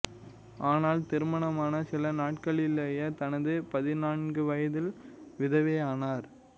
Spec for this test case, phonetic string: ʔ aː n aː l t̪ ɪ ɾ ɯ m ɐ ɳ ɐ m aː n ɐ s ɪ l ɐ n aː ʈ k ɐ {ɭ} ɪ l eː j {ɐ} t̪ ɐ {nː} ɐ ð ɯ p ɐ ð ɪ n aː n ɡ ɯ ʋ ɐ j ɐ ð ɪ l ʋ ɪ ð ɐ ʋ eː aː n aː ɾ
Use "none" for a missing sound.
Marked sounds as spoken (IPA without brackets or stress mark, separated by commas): ɭ, ɐ, n